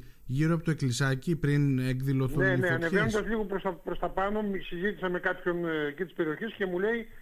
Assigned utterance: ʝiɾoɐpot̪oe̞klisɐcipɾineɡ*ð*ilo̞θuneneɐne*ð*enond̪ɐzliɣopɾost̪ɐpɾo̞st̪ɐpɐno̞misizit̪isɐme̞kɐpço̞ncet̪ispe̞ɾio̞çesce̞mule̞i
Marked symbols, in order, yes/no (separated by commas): yes, no